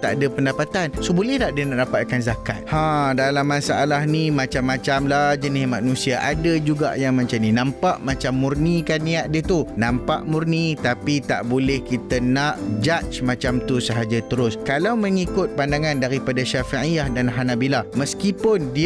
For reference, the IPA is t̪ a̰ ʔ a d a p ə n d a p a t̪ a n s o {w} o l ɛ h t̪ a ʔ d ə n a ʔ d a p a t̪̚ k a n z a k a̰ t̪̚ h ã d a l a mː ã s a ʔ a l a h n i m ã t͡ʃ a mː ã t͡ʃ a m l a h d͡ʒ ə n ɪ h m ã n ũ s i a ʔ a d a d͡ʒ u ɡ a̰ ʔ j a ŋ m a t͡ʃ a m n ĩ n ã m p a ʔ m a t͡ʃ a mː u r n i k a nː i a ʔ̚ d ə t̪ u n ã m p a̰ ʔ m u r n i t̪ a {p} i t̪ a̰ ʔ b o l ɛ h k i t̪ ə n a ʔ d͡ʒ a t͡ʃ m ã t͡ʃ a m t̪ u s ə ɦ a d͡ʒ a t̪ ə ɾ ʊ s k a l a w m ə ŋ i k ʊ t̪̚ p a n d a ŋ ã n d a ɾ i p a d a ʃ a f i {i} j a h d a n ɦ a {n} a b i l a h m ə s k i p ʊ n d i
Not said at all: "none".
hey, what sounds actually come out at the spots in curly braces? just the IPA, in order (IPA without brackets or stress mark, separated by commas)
b, p, i, n